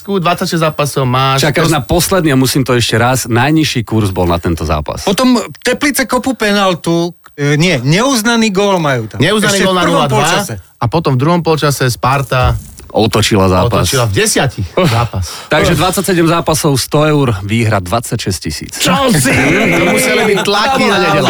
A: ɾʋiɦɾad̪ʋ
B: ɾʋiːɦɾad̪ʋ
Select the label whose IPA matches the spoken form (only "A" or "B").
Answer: B